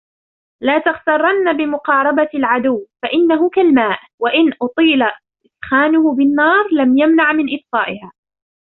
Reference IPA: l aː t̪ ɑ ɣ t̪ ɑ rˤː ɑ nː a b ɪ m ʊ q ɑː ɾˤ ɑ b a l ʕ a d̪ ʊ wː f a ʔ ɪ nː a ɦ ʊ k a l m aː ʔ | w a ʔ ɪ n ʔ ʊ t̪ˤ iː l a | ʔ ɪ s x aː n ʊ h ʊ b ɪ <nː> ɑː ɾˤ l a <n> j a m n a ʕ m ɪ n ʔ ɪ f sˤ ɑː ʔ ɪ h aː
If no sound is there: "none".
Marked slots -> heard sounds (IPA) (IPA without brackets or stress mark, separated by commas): nː, m